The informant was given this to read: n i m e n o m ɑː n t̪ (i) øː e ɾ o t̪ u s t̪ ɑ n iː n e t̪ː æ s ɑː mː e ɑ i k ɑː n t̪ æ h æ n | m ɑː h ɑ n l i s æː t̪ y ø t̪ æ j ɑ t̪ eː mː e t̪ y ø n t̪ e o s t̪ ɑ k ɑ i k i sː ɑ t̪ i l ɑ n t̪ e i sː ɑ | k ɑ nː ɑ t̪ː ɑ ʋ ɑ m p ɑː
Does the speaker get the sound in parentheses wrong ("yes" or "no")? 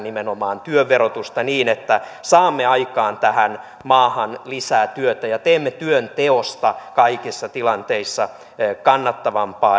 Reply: yes